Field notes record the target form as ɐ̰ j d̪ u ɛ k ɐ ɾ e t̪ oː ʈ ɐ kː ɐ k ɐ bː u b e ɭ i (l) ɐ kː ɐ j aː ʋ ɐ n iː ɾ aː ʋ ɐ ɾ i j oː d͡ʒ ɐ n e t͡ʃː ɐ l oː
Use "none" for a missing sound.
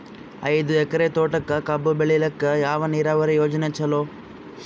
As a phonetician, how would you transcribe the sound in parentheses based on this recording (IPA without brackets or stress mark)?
l